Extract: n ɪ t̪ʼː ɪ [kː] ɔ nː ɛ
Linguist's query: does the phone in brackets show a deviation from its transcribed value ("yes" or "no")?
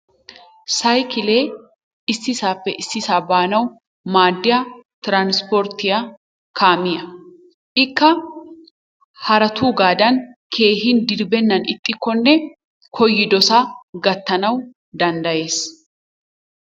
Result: no